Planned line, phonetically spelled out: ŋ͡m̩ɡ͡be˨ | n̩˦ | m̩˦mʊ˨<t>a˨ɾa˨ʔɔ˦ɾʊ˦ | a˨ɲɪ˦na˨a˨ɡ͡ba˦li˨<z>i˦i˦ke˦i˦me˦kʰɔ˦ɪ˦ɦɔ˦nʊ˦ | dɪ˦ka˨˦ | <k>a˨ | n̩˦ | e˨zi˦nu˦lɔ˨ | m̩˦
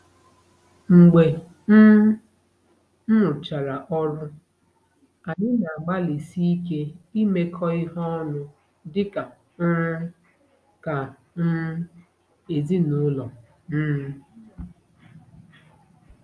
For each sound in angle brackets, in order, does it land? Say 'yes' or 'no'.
no, no, yes

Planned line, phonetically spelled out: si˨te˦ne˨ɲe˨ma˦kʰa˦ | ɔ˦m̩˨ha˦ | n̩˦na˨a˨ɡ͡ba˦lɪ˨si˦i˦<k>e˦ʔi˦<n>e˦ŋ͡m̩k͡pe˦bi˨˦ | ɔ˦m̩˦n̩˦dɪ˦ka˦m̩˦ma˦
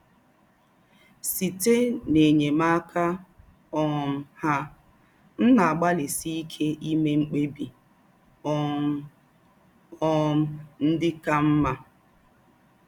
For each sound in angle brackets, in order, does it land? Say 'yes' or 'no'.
no, no

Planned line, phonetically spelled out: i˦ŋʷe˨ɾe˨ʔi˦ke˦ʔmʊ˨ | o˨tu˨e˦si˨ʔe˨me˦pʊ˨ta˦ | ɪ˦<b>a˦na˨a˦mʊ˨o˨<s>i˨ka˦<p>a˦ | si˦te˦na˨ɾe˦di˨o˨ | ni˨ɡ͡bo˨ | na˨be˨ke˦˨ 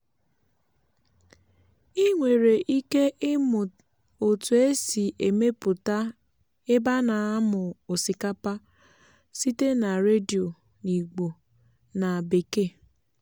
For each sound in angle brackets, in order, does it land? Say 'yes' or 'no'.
yes, yes, yes

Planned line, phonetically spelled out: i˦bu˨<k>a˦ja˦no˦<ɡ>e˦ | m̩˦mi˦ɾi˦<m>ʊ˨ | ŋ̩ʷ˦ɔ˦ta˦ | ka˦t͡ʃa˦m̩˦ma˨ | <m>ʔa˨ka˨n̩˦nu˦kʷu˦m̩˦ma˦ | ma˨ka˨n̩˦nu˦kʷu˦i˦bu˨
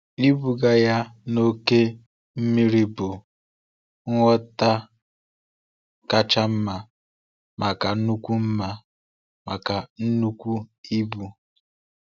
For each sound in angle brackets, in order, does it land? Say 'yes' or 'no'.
no, no, no, yes

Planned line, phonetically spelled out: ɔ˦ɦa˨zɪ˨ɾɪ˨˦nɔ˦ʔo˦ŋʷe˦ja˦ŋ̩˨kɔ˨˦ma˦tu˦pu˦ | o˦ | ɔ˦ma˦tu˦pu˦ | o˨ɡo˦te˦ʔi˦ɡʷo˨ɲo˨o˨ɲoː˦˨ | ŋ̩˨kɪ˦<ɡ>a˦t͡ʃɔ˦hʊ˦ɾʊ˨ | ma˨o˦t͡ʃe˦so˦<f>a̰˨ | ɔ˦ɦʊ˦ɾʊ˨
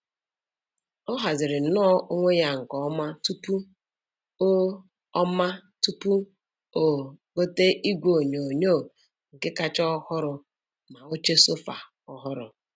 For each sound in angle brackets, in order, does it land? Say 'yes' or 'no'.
no, yes

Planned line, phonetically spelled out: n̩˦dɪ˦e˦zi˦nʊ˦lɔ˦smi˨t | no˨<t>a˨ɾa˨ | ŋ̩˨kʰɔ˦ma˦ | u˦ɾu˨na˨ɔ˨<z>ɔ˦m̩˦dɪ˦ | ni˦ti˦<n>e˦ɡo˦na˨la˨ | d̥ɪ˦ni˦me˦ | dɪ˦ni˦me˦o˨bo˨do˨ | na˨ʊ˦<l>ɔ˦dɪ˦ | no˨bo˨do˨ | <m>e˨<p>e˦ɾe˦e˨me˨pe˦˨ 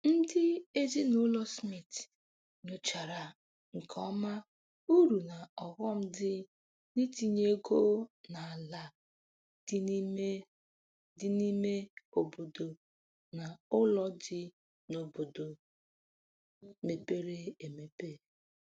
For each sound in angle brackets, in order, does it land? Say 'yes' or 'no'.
no, no, no, yes, yes, yes

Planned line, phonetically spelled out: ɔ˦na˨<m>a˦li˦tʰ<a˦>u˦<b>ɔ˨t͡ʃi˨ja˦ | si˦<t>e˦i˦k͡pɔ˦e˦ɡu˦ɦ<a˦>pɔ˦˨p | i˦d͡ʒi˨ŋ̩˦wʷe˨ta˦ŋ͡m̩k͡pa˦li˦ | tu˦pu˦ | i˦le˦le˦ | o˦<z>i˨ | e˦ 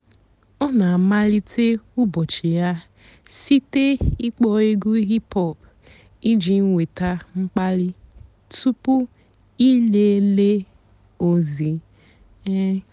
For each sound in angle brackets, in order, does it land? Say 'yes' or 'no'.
yes, no, yes, yes, no, yes

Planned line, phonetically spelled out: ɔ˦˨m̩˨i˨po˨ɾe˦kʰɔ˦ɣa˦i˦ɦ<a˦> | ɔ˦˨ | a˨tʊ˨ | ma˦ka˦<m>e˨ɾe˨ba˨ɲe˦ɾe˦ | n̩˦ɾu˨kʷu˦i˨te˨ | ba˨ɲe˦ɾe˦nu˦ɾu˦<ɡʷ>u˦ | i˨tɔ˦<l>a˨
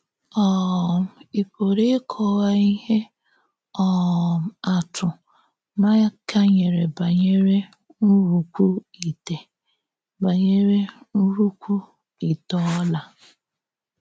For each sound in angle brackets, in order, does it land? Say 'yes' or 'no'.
no, no, no, yes

